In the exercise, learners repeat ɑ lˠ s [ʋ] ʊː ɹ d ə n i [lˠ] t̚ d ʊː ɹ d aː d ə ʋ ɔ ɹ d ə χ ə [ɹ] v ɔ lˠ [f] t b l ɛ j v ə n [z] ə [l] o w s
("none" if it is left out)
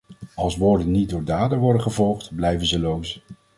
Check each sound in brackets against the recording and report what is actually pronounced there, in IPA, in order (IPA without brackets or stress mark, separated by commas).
ʋ, none, none, χ, z, l